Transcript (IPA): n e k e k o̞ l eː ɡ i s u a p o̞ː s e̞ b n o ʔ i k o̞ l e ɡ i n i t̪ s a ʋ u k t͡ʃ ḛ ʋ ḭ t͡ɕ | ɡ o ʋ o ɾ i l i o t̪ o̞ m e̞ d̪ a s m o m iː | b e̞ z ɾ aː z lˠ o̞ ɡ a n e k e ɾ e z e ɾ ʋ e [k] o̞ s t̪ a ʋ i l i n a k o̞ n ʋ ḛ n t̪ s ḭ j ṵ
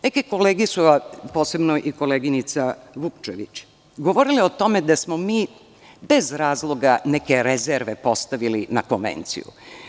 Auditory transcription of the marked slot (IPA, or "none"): p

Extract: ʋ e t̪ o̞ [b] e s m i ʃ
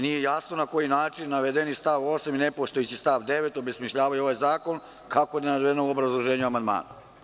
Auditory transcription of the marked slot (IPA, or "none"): b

